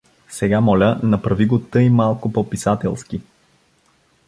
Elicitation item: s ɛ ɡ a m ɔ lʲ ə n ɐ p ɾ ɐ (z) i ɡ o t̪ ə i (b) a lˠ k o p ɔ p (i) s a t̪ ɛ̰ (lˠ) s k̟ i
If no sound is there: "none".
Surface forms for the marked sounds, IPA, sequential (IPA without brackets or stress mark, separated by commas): v, m, i, lˠ